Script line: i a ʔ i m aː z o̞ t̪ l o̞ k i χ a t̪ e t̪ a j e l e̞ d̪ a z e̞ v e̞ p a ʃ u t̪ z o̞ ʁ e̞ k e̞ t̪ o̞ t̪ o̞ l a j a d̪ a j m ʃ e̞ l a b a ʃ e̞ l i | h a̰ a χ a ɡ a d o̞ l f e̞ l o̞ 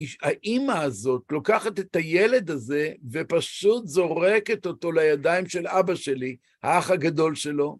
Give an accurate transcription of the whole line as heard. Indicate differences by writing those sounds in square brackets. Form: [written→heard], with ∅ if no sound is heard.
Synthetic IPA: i a ʔ i m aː z o̞ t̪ l o̞ k [i→a] χ a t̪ e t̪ a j e l e̞ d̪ a z e̞ v e̞ p a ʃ u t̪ z o̞ ʁ e̞ k e̞ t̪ o̞ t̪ o̞ l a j a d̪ a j m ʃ e̞ l a b a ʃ e̞ l i | h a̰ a χ a ɡ a d o̞ l [f→ʃ] e̞ l o̞